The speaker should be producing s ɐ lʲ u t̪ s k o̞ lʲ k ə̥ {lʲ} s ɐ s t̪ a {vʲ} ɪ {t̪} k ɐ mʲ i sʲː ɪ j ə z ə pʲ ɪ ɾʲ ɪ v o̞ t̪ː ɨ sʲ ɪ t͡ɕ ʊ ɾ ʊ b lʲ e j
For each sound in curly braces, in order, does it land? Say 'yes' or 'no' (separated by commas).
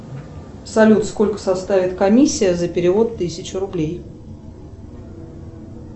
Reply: no, yes, yes